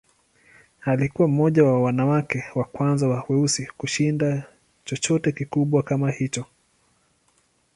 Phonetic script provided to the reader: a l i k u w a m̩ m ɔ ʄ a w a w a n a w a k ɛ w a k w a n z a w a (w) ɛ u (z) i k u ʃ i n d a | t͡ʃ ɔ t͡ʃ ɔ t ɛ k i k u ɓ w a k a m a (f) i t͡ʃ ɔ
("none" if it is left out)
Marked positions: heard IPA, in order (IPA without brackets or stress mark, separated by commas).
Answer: w, s, h